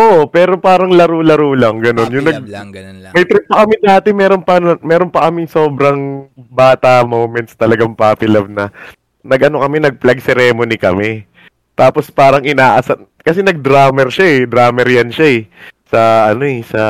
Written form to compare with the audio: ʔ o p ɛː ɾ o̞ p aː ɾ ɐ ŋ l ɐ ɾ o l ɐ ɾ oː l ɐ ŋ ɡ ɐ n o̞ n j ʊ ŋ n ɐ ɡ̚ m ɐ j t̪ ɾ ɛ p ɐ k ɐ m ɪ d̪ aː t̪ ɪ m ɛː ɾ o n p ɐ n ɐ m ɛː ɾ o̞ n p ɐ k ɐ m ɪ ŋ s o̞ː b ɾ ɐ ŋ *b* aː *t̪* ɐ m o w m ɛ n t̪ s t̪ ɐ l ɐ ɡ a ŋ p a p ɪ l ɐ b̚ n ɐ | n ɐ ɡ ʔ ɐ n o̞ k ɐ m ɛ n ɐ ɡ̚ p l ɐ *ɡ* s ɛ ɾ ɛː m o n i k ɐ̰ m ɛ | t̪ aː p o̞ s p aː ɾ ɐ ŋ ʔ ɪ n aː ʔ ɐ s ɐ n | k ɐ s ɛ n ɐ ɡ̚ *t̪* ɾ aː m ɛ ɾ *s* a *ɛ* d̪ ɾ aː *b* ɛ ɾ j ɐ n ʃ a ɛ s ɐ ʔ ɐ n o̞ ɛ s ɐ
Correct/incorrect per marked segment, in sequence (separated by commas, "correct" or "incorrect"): correct, correct, correct, incorrect, incorrect, correct, incorrect